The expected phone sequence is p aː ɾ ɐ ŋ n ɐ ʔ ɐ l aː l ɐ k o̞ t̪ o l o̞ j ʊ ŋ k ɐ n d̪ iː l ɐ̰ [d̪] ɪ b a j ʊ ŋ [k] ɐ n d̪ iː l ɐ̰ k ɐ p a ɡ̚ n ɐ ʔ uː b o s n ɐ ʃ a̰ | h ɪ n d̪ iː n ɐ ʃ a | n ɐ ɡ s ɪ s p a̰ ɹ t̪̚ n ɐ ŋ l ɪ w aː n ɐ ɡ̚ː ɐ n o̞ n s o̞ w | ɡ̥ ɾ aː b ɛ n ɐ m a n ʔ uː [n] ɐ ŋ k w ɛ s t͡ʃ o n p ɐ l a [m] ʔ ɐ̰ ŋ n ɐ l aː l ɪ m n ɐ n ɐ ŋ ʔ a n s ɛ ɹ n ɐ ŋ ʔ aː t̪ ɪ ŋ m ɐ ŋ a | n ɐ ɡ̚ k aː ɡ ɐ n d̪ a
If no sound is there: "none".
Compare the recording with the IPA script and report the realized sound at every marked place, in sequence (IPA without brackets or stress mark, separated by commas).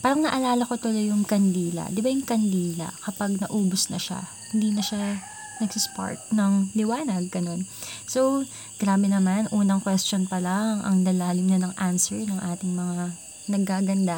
d̪, k, n, ŋ